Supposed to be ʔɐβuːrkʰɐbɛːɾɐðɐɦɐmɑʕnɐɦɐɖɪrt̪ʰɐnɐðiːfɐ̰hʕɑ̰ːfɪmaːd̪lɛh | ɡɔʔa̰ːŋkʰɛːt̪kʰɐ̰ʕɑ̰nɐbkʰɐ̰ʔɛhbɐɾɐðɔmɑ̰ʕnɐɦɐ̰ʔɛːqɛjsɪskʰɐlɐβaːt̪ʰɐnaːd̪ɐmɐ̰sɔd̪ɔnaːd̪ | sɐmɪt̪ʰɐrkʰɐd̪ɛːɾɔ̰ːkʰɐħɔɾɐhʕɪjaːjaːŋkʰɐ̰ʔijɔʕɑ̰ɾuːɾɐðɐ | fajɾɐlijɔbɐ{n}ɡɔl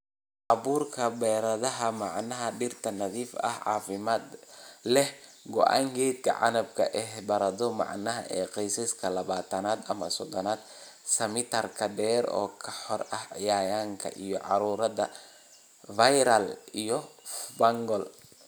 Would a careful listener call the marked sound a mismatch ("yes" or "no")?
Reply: yes